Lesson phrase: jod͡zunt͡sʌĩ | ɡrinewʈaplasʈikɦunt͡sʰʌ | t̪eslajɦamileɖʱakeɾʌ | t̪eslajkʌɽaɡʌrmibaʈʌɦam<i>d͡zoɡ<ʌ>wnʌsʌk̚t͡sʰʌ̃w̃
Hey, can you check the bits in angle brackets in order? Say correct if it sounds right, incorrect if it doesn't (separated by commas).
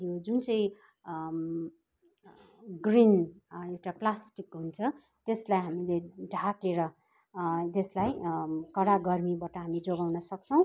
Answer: correct, incorrect